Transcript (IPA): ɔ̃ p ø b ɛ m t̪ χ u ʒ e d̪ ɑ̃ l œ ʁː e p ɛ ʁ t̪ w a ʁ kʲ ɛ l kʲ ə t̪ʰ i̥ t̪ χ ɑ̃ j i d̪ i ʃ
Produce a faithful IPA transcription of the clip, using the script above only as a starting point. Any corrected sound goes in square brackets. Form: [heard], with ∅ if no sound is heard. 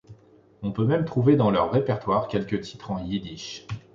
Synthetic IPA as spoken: ɔ̃ p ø [m] ɛ m t̪ χ u [v] e d̪ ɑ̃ l œ ʁː e p ɛ ʁ t̪ w a ʁ kʲ ɛ l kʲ ə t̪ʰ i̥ t̪ χ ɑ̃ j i d̪ i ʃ